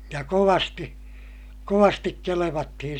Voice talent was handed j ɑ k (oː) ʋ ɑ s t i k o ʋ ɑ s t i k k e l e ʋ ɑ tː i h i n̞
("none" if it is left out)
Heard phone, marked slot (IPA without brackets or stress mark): o